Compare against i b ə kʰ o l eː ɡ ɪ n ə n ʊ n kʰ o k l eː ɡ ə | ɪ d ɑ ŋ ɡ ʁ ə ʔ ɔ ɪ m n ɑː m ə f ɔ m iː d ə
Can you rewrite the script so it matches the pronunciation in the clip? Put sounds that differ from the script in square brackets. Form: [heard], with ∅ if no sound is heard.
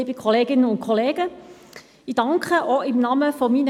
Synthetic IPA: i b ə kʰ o l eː ɡ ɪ n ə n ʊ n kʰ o [∅] l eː ɡ ə | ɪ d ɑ ŋ [k] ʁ ə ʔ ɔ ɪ m n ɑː m ə f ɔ m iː [n] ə